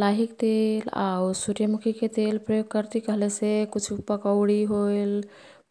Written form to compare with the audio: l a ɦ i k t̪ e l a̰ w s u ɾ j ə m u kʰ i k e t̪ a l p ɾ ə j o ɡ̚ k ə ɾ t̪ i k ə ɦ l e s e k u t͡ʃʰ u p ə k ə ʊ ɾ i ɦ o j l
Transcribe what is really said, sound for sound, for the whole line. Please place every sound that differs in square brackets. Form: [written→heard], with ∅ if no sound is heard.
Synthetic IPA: l a ɦ i k t̪ e l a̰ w s u ɾ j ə m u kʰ i k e t̪ [a→e] l p ɾ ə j o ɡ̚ k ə ɾ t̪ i k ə ɦ l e s e k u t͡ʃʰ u p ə k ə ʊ [ɾ→ɽ] i ɦ o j l

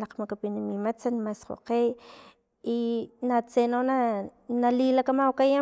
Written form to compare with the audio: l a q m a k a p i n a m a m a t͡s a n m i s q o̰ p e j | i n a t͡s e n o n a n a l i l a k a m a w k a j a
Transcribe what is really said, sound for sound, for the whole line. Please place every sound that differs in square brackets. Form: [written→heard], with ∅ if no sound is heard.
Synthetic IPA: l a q m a k a p i n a m [a→i] m a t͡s a n m [i→a] s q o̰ [p→q] e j | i n a t͡s e n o n a n a l i l a k a m a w k a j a

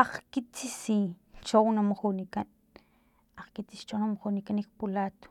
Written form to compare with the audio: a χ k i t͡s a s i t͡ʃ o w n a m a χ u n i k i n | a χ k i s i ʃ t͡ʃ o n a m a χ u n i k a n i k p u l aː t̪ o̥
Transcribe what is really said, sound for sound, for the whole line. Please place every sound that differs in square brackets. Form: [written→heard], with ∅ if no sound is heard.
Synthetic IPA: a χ k i t͡s [a→i] s i t͡ʃ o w n a m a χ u n i k [i→a] n | a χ k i [s→t͡s] i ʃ t͡ʃ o n a m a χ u n i k a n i k p u l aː t̪ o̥

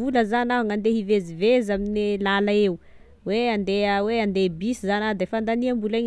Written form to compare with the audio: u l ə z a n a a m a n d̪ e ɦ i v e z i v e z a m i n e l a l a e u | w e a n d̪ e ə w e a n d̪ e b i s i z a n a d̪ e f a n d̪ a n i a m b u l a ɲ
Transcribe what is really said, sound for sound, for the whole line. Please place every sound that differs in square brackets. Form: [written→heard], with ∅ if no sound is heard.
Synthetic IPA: u l ə z a n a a [m→ŋ] a n d̪ e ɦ i v e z i v e z a m i n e l a l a e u | w e a n d̪ e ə w e a n d̪ e b i s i z a n a d̪ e f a n d̪ a n i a m b u l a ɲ

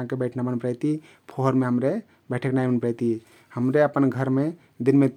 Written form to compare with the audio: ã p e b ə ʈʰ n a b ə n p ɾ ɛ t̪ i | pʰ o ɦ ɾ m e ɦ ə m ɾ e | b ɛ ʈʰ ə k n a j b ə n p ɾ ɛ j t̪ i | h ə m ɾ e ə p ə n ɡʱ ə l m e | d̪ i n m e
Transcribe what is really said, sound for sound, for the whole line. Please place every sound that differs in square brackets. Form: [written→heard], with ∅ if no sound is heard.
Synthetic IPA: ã [p→k] e b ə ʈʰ n a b ə n p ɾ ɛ t̪ i | pʰ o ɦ ɾ m e ɦ ə m ɾ e | b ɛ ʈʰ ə k n a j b ə n p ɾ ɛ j t̪ i | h ə m ɾ e ə p ə n ɡʱ ə [l→ɾ] m e | d̪ i n m e

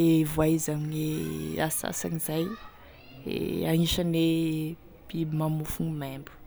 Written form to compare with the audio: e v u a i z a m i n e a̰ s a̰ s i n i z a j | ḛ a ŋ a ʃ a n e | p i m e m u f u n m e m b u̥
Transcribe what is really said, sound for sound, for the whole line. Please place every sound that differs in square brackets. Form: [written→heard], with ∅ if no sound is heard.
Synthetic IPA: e v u a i z a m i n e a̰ s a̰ s [i→a] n i z a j | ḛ a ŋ [a→i] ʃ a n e | p i m [e→a] m u f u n m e m b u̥

